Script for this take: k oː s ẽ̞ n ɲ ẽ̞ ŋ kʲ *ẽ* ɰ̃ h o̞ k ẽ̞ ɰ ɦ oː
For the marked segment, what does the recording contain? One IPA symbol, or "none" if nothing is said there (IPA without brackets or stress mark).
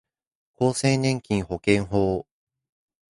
ĩ